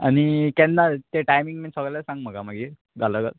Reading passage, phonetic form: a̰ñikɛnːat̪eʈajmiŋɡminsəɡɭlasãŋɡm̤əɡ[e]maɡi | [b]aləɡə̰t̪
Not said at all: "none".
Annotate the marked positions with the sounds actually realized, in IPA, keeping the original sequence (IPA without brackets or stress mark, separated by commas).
a, ɡ